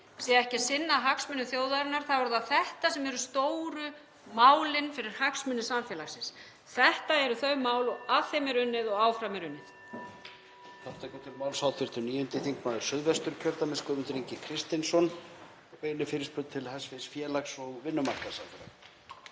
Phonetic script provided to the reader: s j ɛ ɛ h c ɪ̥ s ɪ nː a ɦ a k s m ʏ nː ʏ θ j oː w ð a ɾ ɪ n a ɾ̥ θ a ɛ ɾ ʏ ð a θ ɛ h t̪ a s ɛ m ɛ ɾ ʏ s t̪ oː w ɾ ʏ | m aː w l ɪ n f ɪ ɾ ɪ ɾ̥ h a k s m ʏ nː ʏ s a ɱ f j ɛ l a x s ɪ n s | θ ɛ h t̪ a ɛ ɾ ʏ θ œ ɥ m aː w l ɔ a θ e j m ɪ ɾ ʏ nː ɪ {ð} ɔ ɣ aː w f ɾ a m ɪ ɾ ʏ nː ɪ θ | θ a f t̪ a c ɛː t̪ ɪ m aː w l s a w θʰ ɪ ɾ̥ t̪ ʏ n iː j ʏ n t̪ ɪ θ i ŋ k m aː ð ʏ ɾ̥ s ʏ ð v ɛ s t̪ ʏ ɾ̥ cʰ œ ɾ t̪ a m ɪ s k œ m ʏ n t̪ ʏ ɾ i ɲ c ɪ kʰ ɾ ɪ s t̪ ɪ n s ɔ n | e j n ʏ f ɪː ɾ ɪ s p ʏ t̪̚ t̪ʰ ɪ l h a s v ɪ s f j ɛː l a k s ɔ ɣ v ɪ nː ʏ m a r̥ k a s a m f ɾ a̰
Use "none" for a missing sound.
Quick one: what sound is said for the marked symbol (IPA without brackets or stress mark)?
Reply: ð